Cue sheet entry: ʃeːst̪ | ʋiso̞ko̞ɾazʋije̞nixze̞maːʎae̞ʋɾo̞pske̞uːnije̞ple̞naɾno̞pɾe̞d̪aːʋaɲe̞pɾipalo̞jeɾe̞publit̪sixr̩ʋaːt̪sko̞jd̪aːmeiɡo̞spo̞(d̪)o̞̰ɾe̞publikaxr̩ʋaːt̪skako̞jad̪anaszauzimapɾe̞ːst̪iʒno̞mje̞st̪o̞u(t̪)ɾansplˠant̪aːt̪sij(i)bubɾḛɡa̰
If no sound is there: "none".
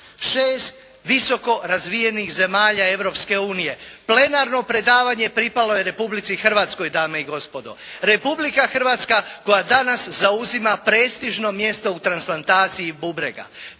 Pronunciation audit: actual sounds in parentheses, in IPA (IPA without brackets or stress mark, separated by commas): d̪, t̪, i